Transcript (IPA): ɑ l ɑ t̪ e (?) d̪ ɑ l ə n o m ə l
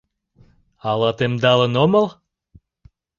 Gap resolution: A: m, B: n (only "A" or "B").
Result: A